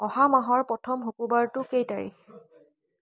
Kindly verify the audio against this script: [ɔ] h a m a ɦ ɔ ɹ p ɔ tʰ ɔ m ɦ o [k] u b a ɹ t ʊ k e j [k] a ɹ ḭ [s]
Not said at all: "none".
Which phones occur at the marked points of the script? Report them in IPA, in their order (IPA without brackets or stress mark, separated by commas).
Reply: ɔ, k, t, x